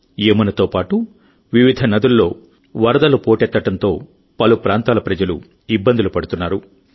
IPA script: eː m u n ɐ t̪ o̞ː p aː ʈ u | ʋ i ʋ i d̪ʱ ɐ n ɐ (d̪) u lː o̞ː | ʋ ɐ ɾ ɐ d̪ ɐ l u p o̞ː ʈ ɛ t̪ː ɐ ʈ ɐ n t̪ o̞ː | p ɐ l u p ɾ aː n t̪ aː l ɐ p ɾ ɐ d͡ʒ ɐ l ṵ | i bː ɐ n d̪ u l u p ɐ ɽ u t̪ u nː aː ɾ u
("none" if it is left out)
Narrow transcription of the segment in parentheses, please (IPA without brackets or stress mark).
d̪